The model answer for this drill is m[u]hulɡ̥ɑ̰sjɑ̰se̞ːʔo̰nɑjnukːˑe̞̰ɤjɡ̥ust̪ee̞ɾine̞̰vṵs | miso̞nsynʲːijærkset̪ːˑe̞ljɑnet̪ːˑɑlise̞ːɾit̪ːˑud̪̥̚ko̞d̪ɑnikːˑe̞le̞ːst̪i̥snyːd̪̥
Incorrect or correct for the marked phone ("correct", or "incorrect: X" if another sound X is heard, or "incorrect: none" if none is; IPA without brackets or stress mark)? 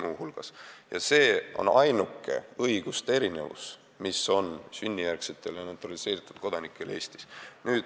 incorrect: uː